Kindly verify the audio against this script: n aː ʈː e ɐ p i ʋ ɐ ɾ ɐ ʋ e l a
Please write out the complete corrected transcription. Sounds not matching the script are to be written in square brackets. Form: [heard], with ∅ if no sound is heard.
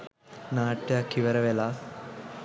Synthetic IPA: n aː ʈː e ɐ [k] i ʋ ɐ ɾ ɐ ʋ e l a